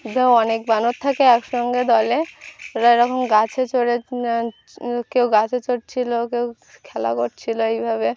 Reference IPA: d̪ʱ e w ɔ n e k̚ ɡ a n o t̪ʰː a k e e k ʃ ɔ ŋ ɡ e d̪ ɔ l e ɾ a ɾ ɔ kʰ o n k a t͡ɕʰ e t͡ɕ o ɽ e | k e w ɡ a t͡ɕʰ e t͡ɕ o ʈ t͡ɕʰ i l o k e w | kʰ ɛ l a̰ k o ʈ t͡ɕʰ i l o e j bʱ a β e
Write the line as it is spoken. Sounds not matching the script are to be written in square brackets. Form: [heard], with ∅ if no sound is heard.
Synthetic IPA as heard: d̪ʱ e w ɔ n e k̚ [b] a n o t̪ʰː a k e [ɛ] k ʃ ɔ ŋ ɡ e d̪ ɔ l e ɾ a ɾ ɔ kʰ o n [ɡ] a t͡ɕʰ e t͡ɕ o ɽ e | k e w ɡ a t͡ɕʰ e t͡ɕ o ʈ t͡ɕʰ i l o k e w | kʰ ɛ l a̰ k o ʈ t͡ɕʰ i l o e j bʱ a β e